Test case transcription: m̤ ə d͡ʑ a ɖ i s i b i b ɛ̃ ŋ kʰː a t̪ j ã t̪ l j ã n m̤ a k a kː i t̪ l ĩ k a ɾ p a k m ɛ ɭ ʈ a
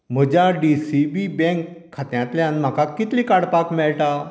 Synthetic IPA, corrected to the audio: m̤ ə d͡ʑ a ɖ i s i b i b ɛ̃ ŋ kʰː a t̪ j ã t̪ l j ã n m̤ a k a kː i t̪ l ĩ k a ɽ p a k m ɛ ɭ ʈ a